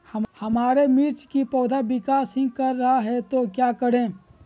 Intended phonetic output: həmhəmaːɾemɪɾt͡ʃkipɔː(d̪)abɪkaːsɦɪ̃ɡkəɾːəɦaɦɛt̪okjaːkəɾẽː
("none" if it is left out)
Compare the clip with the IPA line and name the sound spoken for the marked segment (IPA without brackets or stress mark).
d̪